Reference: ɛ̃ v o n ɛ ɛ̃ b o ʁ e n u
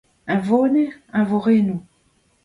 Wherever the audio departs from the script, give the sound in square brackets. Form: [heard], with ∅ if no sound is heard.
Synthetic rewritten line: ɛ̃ v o n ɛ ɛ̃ [v] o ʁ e n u